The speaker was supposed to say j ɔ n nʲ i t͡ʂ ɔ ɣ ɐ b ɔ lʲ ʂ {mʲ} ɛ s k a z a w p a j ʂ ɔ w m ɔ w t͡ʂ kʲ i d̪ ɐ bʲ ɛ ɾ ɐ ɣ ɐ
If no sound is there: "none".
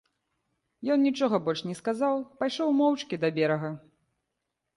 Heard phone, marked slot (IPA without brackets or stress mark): nʲ